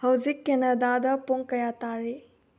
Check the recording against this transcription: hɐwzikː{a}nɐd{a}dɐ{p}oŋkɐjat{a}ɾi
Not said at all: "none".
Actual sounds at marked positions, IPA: e, a, p, a

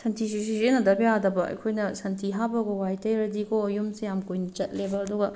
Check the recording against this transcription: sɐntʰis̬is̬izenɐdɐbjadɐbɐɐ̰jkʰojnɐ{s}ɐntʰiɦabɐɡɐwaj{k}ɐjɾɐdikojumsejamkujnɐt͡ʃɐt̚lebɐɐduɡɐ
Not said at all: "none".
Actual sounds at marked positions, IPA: s, t

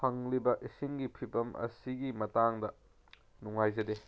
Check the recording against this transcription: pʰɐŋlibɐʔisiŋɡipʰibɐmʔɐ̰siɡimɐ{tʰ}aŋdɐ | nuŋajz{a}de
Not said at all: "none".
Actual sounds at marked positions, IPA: t, ɐ

